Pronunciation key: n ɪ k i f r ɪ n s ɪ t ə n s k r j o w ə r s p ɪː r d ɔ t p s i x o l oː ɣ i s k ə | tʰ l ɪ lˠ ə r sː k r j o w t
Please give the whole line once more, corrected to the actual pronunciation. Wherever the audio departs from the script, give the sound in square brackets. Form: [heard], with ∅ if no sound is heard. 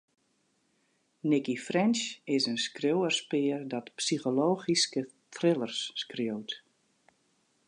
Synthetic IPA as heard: n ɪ k i f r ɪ n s ɪ [s] ə n s k r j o w ə r s p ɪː r d ɔ t p s i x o l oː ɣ i s k ə | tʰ [r] ɪ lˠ ə r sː k r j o w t